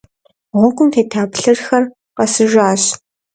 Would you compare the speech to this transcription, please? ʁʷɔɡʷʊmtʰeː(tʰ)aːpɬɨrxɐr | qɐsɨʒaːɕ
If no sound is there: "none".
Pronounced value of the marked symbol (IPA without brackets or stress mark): tʰ